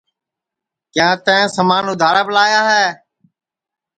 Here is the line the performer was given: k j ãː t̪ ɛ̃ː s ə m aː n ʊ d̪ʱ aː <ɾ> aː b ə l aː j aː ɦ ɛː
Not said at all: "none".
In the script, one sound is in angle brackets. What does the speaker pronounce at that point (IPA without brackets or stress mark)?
ɾ